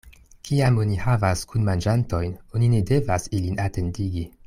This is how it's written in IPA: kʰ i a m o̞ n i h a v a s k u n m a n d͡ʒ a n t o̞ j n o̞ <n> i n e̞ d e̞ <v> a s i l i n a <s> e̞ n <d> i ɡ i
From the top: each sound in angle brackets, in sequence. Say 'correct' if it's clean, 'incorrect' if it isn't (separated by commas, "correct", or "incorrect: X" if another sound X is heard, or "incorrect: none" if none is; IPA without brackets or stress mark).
correct, correct, incorrect: t, correct